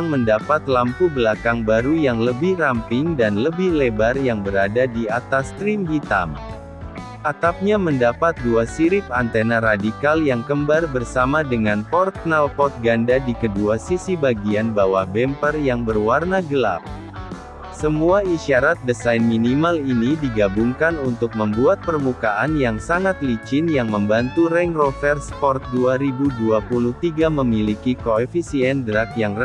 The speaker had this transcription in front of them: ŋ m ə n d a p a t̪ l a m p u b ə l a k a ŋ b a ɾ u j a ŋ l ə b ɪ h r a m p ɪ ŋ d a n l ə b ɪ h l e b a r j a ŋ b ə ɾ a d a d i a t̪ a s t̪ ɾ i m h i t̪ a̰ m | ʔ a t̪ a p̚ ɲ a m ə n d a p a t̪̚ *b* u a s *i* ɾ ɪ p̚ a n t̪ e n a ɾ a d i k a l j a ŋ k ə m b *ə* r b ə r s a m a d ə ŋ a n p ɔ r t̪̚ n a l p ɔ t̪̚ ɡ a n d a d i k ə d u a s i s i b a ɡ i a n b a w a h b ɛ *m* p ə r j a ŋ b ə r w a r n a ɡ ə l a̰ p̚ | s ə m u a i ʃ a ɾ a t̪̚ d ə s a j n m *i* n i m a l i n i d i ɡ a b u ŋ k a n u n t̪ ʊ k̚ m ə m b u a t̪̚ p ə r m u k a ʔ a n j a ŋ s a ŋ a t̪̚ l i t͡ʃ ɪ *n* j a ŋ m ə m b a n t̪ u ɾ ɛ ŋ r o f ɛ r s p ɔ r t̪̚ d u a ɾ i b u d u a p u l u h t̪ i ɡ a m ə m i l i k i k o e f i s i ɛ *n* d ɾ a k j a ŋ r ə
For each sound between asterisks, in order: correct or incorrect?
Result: incorrect, correct, incorrect, correct, correct, correct, correct

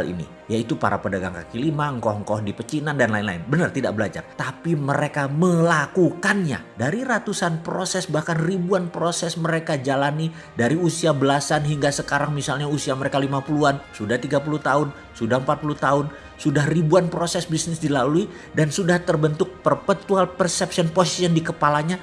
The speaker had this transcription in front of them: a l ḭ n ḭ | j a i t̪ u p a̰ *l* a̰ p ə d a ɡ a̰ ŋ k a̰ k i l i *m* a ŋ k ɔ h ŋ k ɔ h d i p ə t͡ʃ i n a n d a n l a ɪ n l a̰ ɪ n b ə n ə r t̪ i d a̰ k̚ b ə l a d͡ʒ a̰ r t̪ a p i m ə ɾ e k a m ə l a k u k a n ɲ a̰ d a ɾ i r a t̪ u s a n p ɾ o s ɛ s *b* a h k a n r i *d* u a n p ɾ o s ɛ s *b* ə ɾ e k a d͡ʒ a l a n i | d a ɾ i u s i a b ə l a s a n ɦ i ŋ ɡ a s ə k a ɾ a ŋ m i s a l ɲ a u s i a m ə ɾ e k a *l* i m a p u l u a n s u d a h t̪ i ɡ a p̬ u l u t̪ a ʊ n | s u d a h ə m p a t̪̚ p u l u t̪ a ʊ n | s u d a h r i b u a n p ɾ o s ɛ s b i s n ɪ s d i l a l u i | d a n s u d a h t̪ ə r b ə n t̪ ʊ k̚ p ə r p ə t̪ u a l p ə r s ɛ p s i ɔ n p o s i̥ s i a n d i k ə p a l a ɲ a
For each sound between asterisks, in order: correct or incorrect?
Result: incorrect, correct, correct, incorrect, incorrect, correct

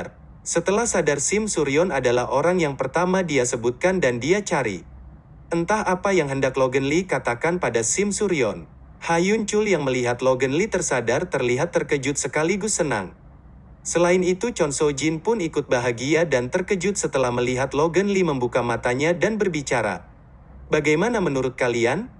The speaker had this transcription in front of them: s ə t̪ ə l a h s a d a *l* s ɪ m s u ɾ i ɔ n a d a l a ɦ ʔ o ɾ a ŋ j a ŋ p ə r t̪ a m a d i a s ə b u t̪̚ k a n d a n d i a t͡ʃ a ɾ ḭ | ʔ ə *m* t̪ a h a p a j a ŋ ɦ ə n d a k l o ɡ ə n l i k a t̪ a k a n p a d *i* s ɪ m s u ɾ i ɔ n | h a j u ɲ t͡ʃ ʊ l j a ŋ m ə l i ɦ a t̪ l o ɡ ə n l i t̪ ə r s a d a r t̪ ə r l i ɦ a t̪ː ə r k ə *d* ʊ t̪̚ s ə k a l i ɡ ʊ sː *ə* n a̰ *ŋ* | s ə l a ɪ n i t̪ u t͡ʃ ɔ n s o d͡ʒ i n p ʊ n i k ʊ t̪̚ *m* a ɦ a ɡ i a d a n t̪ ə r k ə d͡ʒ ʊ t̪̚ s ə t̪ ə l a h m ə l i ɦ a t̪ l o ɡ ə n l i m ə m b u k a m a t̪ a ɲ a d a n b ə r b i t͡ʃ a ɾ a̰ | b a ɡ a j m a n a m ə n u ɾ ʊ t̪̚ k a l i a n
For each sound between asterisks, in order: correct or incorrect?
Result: incorrect, incorrect, incorrect, incorrect, correct, correct, incorrect

